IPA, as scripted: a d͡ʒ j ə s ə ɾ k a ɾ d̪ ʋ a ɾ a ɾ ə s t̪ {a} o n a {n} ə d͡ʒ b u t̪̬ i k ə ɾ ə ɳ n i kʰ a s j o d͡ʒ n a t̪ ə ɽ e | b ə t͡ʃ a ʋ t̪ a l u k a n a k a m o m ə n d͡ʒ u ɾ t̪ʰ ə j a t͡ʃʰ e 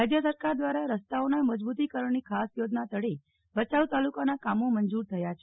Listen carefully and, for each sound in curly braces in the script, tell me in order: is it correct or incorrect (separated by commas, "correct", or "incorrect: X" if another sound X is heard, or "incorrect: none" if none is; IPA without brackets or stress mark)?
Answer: correct, incorrect: m